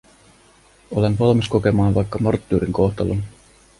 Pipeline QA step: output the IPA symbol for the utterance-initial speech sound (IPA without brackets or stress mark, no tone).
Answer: o